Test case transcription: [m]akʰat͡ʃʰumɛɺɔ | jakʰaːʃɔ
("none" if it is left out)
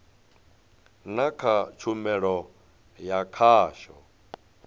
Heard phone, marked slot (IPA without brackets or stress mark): n